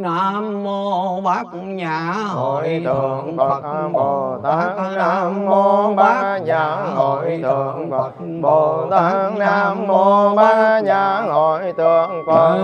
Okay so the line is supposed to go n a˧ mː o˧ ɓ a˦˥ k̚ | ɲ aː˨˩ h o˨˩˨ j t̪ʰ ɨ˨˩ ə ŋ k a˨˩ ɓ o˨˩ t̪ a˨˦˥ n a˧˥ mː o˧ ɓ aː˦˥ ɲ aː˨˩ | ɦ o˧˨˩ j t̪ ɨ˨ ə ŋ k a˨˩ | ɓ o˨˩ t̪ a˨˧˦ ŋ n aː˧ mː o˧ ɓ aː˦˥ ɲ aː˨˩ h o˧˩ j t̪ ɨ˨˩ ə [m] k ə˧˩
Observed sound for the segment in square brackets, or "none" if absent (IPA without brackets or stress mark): ŋ